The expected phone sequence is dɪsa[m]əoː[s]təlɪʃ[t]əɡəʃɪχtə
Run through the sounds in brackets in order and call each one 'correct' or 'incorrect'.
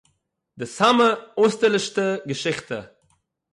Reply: correct, correct, correct

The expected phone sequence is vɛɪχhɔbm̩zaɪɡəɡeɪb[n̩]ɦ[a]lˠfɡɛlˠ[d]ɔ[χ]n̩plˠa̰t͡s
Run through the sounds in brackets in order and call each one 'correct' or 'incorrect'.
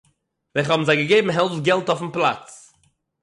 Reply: incorrect: m̩, incorrect: ɛ, incorrect: t, incorrect: f

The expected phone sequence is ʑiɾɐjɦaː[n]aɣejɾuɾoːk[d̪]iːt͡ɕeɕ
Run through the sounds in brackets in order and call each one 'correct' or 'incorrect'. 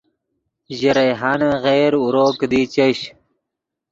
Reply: correct, correct

